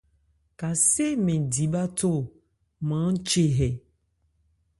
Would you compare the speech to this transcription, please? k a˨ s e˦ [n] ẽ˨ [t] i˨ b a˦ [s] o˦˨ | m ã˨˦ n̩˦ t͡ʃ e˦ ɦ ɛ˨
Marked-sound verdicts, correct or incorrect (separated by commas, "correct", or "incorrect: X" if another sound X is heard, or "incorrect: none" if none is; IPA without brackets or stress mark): incorrect: m, incorrect: d, incorrect: t